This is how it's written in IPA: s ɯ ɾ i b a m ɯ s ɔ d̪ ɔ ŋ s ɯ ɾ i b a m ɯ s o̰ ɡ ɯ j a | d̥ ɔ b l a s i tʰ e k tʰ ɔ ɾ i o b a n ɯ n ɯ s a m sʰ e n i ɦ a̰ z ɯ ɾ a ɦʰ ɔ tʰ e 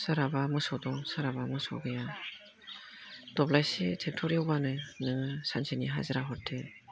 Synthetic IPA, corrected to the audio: s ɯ ɾ a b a m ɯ s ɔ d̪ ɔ ŋ s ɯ ɾ a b a m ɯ s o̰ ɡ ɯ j a | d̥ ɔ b l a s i tʰ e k tʰ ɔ ɾ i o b a n ɯ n ɯ s a n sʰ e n i ɦ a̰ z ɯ ɾ a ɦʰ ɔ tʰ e